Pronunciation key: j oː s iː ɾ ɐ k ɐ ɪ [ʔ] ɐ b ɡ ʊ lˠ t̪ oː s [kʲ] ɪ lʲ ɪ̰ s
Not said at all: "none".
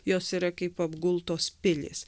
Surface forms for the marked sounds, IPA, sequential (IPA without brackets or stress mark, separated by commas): p, pʲ